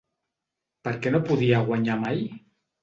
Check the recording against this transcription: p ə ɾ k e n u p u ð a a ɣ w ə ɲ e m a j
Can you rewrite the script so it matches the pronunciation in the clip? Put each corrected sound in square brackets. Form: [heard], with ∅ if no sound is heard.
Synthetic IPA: p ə ɾ k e n [o] p u ð [i] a ɣ w [a] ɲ [a] m a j